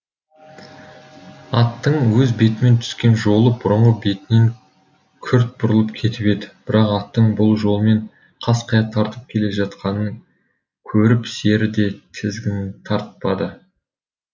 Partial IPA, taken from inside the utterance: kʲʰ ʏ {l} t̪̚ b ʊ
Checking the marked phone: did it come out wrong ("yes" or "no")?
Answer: yes